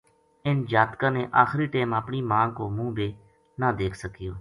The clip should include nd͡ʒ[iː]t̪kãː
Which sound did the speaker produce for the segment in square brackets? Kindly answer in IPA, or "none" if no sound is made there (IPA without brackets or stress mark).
aː